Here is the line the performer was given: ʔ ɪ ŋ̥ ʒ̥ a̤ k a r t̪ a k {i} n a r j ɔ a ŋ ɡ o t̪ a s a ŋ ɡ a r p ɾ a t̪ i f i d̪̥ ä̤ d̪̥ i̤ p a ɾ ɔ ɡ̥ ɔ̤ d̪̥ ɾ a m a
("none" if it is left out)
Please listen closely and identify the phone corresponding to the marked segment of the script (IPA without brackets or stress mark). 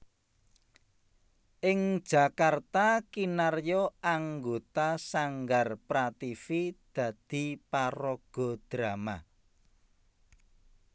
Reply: i